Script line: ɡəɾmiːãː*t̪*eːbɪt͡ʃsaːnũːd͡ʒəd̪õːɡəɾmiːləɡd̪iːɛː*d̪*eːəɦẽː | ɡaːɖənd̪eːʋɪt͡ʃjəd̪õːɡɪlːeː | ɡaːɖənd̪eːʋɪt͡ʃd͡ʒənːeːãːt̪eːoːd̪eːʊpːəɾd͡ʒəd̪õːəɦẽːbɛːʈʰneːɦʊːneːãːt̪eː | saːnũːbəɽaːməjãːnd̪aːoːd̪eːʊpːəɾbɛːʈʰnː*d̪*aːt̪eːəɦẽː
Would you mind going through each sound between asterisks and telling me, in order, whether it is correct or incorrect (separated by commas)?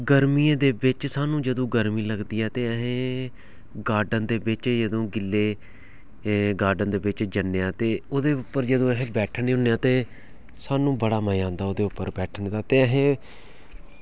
incorrect, incorrect, correct